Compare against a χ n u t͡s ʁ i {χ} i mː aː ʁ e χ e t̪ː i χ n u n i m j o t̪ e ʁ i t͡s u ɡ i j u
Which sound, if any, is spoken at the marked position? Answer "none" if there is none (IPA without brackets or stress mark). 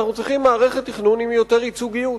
χ